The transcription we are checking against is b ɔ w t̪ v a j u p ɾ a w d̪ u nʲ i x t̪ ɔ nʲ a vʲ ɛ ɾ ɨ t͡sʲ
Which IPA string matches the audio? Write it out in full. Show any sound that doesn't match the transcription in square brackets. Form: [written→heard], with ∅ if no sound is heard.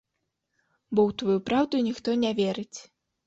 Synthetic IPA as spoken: b ɔ w t̪ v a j u p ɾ a w d̪ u nʲ i x t̪ ɔ nʲ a vʲ ɛ ɾ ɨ t͡sʲ